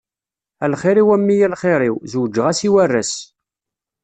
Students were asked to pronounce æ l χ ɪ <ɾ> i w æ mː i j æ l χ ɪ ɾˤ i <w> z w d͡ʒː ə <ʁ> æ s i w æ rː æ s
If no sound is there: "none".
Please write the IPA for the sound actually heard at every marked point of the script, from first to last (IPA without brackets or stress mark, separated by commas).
ɾ, w, ʁ